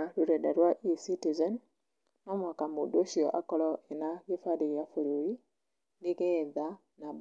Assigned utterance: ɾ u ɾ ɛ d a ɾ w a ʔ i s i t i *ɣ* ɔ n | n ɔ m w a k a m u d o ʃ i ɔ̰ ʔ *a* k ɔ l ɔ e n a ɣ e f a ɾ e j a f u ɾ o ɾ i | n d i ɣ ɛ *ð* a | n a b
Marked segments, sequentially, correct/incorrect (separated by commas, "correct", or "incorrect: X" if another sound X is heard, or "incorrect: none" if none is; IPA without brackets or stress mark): incorrect: z, correct, correct